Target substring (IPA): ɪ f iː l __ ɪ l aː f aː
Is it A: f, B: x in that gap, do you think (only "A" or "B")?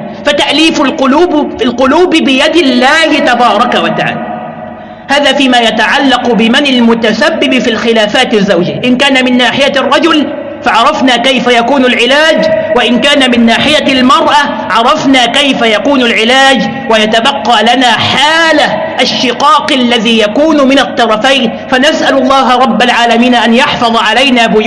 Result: B